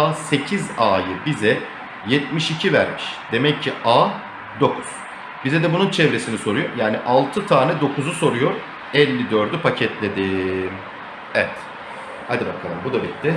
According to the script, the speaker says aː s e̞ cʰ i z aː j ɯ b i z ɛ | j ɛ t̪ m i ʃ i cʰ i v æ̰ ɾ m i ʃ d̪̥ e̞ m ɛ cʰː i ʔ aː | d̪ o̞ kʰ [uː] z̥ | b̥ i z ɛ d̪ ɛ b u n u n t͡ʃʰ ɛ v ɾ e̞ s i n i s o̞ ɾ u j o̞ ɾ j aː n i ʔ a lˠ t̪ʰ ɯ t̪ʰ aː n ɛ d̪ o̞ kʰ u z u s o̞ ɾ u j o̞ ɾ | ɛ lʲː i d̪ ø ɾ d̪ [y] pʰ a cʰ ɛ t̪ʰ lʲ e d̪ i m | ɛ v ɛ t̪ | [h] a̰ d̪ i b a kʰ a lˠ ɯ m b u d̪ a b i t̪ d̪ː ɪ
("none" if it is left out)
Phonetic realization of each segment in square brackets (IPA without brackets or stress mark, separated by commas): u, y, h